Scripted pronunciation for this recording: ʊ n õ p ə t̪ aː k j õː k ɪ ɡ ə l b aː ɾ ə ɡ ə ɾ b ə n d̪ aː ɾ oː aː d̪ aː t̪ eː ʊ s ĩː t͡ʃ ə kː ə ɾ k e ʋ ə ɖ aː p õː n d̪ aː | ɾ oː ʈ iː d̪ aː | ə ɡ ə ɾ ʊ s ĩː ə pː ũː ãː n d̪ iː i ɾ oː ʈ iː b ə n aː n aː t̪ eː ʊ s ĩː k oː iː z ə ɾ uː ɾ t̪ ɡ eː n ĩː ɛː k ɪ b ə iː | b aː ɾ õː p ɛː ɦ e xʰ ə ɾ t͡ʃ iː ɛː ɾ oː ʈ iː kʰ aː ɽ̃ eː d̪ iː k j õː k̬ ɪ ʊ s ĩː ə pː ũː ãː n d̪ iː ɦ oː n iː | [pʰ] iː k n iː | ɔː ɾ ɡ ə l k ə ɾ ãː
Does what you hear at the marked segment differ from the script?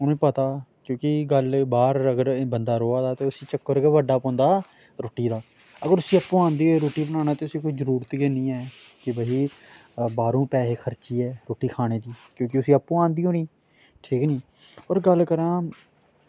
yes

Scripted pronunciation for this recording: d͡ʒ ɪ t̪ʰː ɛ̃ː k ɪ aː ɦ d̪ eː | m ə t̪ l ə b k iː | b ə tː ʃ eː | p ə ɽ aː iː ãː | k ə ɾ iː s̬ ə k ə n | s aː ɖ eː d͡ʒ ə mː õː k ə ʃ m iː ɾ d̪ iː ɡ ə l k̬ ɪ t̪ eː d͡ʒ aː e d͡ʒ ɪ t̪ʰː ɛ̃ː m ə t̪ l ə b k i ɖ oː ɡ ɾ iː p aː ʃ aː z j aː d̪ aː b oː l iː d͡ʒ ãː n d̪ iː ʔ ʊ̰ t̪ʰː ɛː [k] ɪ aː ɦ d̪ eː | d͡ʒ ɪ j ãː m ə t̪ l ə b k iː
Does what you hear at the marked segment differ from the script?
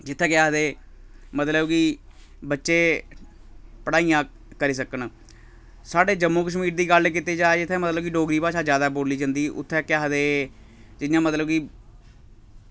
no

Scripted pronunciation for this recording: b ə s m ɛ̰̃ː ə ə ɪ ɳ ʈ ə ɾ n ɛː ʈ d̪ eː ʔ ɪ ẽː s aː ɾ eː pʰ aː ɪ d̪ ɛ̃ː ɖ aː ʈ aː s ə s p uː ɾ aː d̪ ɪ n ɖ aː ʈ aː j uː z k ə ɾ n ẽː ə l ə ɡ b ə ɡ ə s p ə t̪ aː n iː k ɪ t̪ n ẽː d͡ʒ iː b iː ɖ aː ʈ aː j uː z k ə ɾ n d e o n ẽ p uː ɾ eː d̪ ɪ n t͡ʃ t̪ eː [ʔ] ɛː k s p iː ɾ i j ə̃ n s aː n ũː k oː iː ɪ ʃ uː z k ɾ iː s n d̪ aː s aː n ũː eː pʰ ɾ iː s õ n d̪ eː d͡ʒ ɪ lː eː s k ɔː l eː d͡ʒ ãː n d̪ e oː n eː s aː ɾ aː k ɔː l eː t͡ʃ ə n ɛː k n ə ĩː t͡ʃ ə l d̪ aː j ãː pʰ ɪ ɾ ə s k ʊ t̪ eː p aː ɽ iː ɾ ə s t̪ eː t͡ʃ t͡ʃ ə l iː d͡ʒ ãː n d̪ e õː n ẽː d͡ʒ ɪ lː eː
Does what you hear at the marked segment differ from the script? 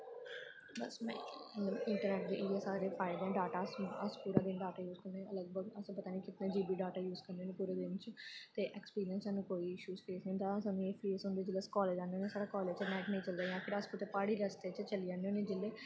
no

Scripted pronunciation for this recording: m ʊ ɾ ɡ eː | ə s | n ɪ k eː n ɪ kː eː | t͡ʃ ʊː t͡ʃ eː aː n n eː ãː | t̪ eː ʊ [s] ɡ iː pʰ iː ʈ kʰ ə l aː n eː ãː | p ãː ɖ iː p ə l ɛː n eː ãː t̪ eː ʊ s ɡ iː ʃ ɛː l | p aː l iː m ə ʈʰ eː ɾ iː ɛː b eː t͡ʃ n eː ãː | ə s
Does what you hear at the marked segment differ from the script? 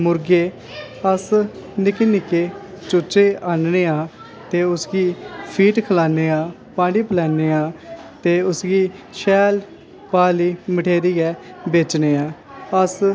no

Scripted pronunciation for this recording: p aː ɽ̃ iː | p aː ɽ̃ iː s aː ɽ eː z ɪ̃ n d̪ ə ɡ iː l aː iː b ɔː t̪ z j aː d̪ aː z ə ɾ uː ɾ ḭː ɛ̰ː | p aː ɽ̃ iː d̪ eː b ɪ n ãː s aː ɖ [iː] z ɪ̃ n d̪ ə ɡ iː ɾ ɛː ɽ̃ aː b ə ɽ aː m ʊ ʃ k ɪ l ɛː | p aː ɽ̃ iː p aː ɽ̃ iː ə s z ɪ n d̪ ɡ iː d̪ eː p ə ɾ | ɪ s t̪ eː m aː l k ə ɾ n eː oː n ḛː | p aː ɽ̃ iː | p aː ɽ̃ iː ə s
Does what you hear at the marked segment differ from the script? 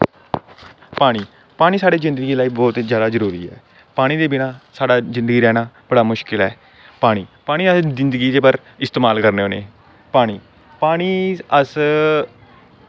yes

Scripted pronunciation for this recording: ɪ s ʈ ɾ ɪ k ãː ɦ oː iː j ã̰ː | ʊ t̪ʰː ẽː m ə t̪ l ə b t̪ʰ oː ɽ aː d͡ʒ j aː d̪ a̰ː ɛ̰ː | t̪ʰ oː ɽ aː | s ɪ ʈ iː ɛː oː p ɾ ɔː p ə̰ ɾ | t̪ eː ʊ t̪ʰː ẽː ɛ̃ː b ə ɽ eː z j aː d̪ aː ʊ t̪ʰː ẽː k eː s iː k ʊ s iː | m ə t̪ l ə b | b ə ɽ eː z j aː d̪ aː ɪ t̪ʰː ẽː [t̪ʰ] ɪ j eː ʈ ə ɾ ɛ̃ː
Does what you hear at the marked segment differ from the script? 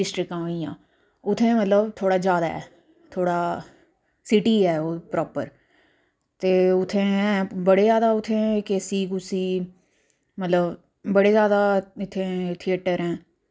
no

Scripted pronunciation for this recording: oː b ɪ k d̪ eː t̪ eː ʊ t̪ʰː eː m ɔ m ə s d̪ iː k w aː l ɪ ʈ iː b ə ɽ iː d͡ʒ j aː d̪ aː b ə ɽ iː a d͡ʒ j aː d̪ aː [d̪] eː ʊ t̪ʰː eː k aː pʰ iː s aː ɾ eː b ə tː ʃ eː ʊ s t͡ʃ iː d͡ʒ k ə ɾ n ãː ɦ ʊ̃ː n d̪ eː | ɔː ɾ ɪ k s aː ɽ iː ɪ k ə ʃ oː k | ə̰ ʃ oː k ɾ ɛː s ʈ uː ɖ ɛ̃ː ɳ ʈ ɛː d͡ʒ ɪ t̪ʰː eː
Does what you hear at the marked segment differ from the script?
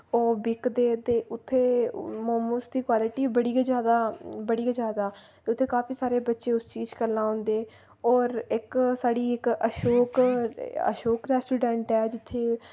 yes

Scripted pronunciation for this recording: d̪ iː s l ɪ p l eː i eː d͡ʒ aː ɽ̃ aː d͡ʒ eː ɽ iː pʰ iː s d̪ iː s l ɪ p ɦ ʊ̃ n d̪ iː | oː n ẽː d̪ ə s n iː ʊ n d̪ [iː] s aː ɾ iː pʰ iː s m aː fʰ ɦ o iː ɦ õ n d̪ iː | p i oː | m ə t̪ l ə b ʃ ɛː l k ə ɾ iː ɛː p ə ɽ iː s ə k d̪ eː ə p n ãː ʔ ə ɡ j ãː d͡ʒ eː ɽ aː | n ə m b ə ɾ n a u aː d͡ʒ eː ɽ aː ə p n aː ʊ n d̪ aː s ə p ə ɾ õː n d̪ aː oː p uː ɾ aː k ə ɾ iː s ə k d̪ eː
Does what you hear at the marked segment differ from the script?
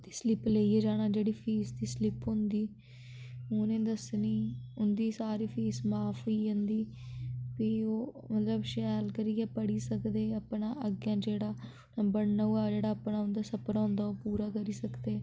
no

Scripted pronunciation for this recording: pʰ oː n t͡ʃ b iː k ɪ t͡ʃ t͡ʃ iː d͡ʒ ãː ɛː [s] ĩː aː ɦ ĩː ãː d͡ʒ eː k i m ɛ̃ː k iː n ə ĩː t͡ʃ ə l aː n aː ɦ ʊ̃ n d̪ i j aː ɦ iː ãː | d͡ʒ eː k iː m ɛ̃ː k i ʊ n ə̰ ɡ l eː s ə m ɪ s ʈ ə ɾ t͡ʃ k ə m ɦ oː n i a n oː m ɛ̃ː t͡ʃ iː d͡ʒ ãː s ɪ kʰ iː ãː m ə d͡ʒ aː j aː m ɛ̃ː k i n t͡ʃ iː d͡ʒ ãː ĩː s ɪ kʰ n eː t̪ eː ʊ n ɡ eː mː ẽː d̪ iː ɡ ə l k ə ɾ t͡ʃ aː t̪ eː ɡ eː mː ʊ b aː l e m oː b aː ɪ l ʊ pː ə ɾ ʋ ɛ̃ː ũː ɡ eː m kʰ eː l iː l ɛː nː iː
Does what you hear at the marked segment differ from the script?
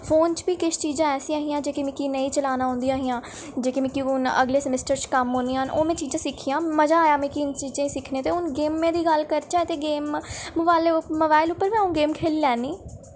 no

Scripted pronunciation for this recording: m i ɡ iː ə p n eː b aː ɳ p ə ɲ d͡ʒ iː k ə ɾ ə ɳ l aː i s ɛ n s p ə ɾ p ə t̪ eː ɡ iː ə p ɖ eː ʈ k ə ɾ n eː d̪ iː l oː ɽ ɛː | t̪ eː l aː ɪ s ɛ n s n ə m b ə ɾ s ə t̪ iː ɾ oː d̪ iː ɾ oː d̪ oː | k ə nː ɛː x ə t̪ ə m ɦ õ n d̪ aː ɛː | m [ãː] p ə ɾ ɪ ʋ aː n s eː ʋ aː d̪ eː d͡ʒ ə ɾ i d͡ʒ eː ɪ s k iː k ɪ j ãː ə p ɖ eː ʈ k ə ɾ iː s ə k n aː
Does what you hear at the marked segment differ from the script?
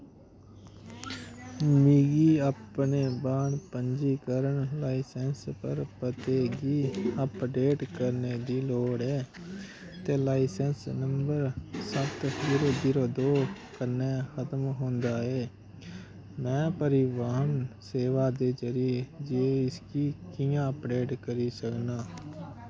yes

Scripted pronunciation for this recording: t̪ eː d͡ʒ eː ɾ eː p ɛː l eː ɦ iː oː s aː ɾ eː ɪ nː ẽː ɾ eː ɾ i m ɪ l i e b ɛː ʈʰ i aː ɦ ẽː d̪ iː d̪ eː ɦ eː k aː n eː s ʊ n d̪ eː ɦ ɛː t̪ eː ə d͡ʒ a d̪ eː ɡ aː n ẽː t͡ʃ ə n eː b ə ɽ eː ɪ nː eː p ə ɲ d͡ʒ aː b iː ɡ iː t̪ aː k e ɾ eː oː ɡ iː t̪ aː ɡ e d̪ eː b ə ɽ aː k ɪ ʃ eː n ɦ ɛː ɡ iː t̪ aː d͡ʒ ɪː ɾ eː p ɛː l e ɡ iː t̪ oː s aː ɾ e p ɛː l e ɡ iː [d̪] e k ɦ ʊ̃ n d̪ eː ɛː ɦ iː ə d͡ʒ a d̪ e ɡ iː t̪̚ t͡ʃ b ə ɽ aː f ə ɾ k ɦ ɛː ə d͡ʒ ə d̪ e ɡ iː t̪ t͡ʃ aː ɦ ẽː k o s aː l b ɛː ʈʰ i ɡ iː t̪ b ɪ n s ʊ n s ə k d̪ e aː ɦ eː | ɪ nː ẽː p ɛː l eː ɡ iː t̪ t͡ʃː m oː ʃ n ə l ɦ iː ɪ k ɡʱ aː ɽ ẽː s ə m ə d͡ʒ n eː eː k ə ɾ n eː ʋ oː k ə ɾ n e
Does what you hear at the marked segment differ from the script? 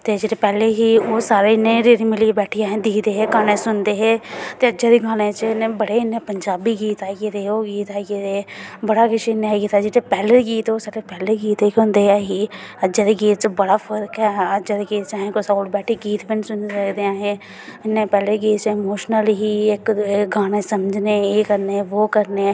yes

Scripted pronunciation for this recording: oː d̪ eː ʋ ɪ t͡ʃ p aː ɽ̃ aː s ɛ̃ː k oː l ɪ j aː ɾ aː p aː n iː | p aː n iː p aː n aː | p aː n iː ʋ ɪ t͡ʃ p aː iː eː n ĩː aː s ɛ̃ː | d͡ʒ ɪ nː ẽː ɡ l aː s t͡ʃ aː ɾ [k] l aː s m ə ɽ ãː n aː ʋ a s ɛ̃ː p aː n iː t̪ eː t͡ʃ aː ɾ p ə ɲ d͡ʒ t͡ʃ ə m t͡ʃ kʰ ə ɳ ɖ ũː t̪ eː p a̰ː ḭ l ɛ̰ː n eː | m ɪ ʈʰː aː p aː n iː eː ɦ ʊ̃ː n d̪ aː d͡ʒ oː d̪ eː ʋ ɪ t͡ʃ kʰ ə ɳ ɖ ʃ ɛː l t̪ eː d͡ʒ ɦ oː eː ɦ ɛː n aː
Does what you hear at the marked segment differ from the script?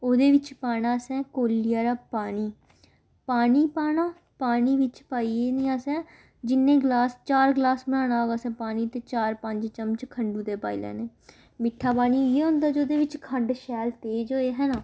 yes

